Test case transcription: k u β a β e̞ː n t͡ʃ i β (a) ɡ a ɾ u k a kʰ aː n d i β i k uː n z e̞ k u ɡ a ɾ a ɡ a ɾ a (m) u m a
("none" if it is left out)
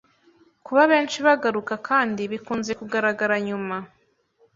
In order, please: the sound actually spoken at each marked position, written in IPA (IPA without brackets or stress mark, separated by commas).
a, ɲ